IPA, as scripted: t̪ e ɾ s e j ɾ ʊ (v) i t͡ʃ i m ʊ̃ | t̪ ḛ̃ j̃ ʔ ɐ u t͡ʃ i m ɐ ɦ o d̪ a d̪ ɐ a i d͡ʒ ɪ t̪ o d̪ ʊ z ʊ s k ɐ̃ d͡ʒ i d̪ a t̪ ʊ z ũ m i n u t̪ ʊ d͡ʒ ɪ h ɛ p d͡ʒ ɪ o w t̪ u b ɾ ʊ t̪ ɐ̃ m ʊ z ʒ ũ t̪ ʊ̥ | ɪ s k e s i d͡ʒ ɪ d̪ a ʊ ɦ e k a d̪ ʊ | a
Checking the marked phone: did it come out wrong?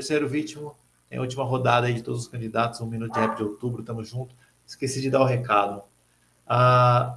no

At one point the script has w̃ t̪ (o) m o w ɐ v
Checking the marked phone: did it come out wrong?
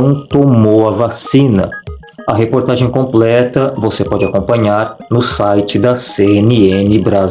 no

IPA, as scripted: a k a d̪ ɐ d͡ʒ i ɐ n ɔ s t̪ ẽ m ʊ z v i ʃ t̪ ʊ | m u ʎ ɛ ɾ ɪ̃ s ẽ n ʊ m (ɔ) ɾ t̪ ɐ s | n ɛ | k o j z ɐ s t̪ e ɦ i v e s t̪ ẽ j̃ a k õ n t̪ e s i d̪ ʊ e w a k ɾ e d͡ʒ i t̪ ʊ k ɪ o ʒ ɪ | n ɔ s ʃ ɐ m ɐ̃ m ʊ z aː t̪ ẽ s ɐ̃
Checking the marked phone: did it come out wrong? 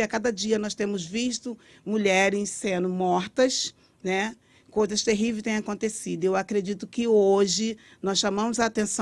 no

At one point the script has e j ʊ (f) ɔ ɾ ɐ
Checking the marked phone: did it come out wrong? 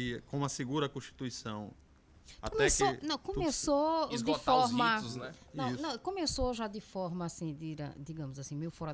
no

